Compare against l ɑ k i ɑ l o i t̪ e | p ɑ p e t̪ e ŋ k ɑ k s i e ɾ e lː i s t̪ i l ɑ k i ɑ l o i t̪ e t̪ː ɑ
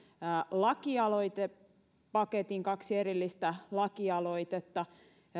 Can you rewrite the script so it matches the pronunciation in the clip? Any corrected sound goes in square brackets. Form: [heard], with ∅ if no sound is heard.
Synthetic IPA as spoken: l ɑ k i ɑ l o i t̪ e | p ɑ [k] e t̪ [i] ŋ k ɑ k s i e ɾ [i] lː i s t̪ [æ] l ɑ k i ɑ l o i t̪ e t̪ː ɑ